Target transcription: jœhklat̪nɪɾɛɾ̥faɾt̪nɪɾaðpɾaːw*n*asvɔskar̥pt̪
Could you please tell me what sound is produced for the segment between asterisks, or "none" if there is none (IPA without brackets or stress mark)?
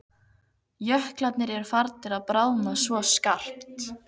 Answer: n